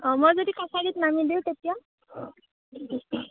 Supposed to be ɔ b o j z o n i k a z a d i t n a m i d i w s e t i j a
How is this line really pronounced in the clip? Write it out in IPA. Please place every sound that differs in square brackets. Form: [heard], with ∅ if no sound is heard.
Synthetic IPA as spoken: ɔ [m] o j z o [d] i k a [s] a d i t n a m i d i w [t] e t i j a